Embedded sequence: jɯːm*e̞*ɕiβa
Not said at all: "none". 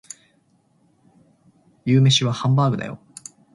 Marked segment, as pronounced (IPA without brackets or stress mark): e̞